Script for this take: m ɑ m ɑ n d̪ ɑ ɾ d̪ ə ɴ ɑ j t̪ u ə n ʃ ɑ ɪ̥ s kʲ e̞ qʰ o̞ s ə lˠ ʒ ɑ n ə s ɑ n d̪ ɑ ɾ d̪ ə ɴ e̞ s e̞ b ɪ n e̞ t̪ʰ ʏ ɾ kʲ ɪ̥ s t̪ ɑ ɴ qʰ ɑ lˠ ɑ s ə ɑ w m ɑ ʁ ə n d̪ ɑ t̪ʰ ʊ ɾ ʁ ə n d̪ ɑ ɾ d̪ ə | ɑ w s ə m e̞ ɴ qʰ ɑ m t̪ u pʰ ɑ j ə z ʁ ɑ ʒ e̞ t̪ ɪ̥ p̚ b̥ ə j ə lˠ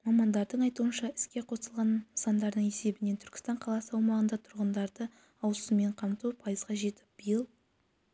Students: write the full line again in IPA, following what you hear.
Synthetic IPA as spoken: m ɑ m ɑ n d̪ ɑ ɾ d̪ ə ɴ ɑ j t̪ u ə n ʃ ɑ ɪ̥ s kʲ e̞ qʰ o̞ s ə lˠ ʁ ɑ n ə s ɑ n d̪ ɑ ɾ d̪ ə ɴ e̞ s e̞ b ɪ n e̞ t̪ʰ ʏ ɾ kʲ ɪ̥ s t̪ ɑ ɴ qʰ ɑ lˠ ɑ s ə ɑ w m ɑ ʁ ə n d̪ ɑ t̪ʰ ʊ ɾ ʁ ə n d̪ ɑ ɾ d̪ ə | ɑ w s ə m e̞ ɴ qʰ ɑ m t̪ u pʰ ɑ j ə z ʁ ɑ ʒ e̞ t̪ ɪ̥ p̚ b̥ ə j ə lˠ